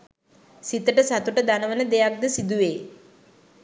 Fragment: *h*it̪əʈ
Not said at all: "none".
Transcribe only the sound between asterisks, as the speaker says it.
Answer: s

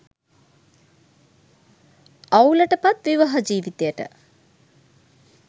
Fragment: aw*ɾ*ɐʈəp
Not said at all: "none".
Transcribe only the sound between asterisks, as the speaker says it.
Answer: l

